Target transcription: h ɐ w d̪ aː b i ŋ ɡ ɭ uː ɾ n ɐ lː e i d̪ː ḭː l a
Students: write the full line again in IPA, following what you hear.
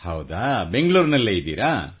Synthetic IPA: h ɐ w d̪ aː b e ŋ ɡ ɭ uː ɾ n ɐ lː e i d̪ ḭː ɾ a